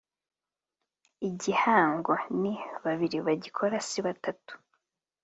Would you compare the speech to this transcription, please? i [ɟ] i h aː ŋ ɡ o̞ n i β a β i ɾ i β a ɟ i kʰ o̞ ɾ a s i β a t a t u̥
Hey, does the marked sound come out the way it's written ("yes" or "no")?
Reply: yes